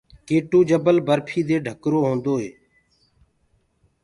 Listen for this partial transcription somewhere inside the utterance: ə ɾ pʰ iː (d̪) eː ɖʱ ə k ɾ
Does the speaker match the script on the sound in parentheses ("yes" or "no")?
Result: yes